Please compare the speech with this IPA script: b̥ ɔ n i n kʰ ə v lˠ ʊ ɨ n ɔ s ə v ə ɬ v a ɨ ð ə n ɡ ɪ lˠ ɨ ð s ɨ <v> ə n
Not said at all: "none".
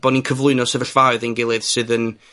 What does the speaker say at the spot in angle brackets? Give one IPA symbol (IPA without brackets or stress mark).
ð